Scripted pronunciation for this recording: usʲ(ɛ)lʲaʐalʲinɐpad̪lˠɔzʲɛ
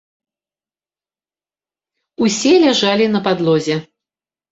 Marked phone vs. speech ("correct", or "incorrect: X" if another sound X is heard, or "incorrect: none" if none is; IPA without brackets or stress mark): correct